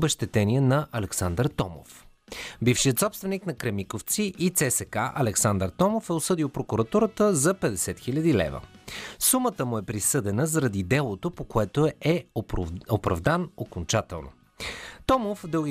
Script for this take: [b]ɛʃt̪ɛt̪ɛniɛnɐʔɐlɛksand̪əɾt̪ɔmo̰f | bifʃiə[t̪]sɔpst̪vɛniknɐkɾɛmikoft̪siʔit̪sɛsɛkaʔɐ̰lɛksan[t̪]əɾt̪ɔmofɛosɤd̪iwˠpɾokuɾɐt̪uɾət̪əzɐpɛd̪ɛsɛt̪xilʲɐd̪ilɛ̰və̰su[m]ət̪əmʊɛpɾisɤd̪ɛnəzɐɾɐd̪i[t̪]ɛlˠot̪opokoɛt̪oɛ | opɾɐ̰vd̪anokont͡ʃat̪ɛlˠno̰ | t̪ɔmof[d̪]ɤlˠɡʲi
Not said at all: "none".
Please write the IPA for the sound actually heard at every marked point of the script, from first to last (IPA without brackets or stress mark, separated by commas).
b, t̪, d̪, m, d̪, d̪